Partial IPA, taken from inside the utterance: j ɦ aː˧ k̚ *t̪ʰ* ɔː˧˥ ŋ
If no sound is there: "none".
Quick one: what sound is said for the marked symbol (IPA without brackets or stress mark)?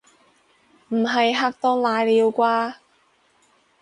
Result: t̪